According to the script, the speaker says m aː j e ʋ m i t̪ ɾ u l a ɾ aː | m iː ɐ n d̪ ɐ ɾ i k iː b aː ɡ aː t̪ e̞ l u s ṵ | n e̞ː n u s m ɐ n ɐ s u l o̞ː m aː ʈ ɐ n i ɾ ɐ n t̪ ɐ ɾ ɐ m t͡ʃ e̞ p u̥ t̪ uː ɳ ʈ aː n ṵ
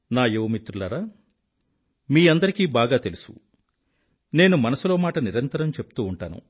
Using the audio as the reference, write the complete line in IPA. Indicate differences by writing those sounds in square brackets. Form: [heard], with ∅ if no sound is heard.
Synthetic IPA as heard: [n] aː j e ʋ m i t̪ ɾ u l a ɾ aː | m iː ɐ n d̪ ɐ ɾ i k iː b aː ɡ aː t̪ e̞ l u s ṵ | n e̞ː n u [∅] m ɐ n ɐ s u l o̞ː m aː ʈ ɐ n i ɾ ɐ n t̪ ɐ ɾ ɐ m t͡ʃ e̞ p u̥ t̪ uː ɳ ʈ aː n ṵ